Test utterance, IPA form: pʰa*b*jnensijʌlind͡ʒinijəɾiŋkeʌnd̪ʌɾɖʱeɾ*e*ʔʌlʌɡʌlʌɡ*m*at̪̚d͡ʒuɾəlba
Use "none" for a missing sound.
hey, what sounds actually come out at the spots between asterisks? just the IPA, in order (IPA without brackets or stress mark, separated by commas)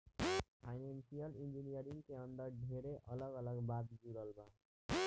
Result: none, e, b